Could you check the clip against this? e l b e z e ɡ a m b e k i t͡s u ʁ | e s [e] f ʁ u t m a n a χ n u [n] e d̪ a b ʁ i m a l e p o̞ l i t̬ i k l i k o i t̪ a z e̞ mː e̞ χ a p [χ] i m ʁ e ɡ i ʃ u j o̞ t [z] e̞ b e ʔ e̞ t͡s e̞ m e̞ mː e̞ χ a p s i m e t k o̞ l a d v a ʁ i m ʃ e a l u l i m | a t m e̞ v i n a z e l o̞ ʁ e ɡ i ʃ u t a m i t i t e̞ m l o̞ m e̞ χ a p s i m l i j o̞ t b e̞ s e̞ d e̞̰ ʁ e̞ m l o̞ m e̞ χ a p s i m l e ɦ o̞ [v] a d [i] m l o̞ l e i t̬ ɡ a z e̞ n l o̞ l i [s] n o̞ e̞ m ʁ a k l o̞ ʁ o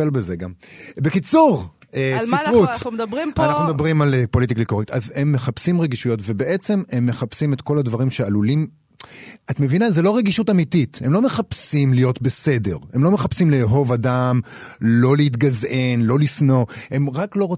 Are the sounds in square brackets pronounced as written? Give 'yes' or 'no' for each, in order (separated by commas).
no, no, no, no, yes, no, yes